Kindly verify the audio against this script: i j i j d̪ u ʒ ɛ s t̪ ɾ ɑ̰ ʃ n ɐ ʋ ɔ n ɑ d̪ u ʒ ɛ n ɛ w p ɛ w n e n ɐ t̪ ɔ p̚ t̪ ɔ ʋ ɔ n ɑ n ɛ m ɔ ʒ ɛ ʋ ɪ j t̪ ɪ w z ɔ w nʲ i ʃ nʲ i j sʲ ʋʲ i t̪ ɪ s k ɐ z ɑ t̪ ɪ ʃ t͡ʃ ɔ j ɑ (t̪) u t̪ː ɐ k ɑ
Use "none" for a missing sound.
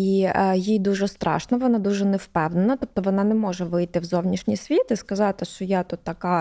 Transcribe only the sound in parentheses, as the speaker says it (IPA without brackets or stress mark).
t̪